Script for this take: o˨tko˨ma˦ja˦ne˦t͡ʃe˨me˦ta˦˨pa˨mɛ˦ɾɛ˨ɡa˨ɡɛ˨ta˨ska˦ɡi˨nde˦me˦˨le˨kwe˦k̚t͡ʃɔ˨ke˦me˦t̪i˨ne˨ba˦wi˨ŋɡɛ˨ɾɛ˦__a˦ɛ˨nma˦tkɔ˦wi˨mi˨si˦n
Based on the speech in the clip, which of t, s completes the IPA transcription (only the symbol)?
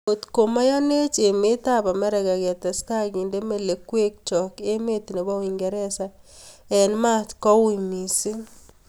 s